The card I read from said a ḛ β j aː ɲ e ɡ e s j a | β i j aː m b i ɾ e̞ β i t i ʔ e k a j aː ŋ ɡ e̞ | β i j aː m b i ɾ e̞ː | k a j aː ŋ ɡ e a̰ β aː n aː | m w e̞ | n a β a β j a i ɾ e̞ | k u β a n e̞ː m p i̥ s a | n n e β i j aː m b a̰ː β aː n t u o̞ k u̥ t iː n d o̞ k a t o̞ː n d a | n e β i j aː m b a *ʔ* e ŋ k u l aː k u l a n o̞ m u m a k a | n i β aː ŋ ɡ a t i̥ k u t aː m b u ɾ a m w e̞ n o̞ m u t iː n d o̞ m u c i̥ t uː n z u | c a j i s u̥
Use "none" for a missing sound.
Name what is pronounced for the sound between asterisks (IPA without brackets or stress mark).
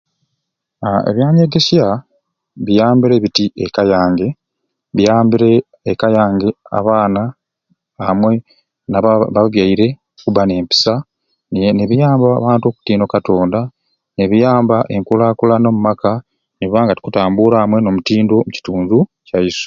ʔ